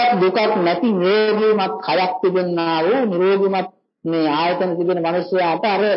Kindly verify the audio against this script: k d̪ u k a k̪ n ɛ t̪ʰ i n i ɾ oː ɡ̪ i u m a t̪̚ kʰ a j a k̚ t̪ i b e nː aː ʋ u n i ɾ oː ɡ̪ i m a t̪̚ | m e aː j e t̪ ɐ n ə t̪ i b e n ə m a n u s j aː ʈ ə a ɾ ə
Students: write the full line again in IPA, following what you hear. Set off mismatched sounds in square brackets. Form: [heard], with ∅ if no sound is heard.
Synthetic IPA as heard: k d̪ u k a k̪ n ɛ [t̪] i n i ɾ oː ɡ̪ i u m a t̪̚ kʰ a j a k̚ t̪ i b e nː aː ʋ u n i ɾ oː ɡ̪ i m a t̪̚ | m e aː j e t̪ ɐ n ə t̪ i b e n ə m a n u s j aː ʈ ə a ɾ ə